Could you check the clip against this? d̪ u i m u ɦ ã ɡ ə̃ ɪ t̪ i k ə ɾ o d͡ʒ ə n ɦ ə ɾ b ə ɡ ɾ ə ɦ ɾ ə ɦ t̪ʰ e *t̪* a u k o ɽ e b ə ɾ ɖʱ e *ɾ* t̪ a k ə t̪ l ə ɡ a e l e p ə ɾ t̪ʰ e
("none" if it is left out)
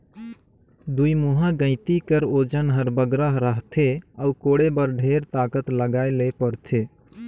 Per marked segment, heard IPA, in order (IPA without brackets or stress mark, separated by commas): none, ɾ